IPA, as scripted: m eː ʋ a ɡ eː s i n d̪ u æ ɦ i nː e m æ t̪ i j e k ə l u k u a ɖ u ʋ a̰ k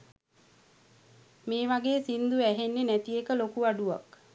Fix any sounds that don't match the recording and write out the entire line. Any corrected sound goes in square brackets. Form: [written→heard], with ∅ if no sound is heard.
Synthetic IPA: m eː ʋ a ɡ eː s i n d̪ u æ ɦ [i→e] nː e [m→n] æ t̪ i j e k ə l [u→o] k u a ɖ u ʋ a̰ k